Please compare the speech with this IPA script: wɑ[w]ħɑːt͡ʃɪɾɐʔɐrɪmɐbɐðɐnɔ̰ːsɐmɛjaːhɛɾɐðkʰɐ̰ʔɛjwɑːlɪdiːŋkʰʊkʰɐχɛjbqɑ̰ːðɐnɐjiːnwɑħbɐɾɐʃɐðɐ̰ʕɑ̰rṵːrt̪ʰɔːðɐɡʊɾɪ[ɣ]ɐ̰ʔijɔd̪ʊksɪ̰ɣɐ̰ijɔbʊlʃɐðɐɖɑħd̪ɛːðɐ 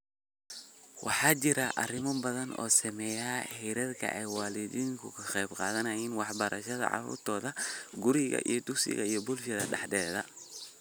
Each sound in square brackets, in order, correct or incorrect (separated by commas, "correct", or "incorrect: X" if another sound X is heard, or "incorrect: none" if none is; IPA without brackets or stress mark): incorrect: none, correct